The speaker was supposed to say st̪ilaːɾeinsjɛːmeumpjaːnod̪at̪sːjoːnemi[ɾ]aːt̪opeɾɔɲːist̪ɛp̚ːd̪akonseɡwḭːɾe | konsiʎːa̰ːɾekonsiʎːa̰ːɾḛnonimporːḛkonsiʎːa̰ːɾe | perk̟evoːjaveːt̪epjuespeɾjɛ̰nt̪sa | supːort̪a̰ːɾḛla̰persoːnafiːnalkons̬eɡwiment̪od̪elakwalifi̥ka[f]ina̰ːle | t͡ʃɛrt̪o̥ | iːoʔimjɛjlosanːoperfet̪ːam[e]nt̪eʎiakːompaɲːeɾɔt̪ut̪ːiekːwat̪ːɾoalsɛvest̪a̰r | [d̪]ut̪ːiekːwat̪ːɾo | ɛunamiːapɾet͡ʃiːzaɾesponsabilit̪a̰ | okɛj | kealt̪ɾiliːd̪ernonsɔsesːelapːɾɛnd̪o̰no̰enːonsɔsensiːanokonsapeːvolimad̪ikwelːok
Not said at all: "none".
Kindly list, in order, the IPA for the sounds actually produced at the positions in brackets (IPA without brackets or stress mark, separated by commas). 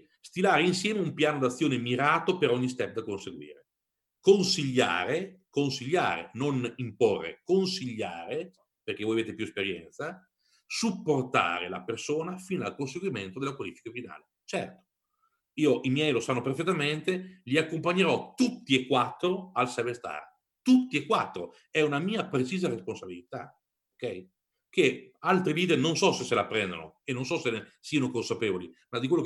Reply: ɾ, f, e, t̪